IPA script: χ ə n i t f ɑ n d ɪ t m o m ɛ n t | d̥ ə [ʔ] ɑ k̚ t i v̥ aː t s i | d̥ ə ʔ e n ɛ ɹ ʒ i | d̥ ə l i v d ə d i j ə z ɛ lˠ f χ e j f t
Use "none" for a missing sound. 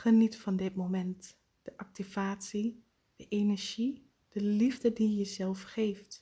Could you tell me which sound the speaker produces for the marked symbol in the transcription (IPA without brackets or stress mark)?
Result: ʔ